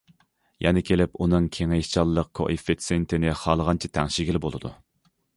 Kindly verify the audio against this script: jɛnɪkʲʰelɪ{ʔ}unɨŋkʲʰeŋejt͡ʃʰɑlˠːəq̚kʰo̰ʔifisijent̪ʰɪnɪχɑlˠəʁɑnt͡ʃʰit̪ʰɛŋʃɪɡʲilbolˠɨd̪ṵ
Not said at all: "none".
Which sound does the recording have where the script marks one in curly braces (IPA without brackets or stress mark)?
p